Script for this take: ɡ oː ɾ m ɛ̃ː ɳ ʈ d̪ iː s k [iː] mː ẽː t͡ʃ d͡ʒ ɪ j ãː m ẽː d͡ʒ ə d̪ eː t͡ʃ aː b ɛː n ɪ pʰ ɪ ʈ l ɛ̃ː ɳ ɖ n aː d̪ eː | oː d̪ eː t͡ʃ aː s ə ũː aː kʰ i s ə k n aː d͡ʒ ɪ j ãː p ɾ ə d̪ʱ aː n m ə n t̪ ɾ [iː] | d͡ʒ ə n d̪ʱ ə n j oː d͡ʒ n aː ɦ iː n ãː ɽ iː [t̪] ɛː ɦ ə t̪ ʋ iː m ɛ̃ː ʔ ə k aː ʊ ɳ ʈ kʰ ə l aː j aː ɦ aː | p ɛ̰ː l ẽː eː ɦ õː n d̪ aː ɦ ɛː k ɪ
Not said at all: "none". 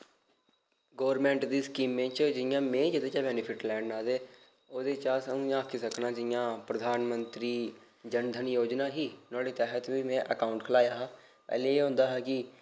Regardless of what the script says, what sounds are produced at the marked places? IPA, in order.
iː, iː, t̪

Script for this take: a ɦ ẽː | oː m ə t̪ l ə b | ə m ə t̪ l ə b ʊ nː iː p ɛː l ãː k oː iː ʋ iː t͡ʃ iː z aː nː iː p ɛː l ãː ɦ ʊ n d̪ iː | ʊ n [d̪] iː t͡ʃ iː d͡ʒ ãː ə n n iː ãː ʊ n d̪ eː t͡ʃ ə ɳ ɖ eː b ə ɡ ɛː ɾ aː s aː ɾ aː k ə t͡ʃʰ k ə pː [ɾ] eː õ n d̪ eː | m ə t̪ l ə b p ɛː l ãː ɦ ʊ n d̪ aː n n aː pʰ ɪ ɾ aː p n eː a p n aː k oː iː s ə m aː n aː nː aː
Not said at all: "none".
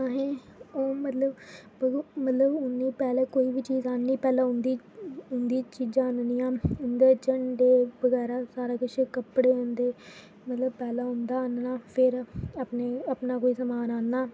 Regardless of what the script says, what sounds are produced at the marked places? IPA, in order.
d̪, ɽ

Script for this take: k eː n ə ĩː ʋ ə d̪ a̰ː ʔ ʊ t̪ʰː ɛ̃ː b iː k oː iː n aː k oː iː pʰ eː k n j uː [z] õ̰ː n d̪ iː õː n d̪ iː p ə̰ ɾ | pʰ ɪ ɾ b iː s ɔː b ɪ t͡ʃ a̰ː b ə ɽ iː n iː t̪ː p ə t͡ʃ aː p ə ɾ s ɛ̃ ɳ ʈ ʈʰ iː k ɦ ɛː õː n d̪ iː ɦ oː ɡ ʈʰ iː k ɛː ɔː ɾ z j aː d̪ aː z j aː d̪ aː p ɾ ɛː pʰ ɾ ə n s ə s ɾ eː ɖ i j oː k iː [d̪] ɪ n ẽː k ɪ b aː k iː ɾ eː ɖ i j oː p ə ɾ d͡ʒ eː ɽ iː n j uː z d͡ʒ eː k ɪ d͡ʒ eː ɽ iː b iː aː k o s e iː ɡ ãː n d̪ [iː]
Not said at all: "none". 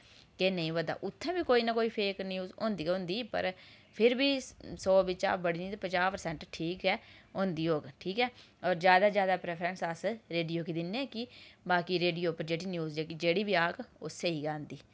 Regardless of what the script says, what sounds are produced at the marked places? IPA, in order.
z, d̪, iː

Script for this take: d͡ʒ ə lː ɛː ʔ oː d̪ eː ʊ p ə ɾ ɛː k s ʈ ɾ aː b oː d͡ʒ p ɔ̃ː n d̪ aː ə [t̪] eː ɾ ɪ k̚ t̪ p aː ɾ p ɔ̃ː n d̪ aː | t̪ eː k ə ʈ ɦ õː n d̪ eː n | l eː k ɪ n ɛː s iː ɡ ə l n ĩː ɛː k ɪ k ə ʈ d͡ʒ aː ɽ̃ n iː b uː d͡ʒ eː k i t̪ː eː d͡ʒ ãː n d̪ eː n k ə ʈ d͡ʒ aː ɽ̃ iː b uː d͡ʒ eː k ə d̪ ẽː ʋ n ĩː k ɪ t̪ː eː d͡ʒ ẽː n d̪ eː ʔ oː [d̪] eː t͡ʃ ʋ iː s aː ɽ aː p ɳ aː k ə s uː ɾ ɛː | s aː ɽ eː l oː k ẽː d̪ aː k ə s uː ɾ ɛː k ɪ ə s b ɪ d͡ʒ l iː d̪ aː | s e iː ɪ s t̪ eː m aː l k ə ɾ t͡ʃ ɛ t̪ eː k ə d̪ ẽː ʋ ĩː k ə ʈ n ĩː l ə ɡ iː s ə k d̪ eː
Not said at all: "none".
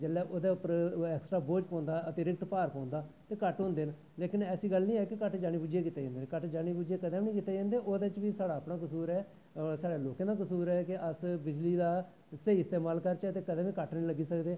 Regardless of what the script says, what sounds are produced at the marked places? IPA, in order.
t̪, d̪

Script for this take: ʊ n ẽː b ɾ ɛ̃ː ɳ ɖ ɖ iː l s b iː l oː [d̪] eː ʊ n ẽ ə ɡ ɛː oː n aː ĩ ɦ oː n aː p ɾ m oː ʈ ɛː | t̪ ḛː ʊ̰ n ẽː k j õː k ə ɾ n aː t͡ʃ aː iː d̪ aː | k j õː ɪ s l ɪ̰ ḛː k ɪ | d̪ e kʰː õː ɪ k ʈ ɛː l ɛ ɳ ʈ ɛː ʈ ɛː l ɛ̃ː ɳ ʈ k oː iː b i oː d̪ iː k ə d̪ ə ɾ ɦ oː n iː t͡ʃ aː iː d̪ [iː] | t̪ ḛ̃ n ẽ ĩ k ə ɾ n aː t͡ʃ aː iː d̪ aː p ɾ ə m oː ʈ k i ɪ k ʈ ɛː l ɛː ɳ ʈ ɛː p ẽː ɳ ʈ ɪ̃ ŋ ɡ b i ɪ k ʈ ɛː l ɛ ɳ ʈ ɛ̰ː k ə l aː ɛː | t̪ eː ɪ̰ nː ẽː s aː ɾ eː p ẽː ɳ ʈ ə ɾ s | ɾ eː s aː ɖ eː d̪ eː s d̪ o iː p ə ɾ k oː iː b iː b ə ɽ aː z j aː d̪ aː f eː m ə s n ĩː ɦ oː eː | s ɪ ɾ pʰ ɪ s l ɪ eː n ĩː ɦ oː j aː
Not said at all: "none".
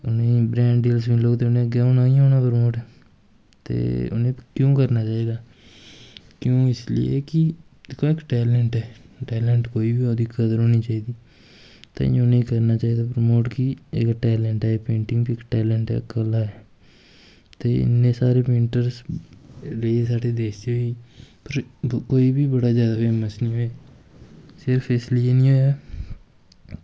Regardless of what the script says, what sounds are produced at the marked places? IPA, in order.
t̪, iː

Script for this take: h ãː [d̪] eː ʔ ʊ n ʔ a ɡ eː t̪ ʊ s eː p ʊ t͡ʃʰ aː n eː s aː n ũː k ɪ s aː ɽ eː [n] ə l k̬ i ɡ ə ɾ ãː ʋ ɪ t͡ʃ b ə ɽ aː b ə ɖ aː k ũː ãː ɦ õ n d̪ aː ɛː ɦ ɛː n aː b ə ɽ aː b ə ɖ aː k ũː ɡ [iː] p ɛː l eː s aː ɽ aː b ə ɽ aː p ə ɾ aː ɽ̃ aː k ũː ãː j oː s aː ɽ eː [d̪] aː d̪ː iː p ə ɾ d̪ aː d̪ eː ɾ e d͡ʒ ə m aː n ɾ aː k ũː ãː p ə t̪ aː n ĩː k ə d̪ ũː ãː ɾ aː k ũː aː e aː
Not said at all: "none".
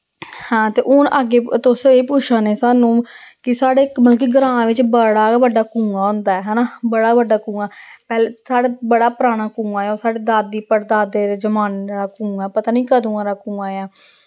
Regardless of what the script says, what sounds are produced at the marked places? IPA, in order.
t̪, m, aː, d̪

